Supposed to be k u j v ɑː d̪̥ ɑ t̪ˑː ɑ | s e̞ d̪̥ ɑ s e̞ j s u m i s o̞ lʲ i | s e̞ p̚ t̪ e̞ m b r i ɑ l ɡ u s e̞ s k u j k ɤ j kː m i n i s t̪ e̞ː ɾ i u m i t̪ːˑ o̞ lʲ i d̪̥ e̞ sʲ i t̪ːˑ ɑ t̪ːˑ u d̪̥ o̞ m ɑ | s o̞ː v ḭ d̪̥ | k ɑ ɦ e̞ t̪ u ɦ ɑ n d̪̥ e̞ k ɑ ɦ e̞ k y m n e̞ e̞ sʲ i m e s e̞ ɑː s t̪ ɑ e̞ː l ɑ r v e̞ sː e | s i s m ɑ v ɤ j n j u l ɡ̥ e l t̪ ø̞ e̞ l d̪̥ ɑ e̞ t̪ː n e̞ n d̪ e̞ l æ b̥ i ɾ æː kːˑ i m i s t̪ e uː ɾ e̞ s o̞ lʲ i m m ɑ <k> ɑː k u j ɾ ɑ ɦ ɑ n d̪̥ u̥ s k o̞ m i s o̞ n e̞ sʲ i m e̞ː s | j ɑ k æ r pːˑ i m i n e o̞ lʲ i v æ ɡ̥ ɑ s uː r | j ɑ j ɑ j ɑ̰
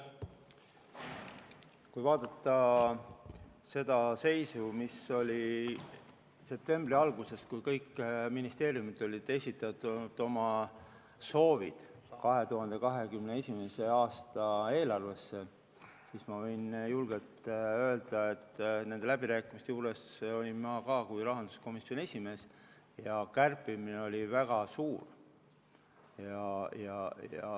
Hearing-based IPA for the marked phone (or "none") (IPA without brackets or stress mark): k